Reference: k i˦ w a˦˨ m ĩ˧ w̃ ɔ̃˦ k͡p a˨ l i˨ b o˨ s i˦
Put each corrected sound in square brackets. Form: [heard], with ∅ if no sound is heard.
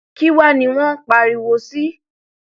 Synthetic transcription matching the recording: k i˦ w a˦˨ [n] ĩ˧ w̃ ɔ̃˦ k͡p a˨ [ɾ] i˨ [w] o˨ s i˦